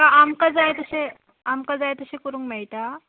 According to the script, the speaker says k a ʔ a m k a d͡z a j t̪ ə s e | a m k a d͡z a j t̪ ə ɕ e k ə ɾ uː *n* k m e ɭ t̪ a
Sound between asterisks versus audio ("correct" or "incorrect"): incorrect